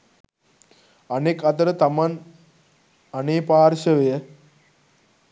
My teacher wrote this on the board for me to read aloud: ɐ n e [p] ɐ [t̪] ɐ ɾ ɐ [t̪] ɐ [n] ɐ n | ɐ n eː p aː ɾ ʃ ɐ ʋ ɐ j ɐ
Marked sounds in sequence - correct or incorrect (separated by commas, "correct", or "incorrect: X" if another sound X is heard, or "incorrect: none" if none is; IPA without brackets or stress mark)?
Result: incorrect: k, correct, correct, incorrect: m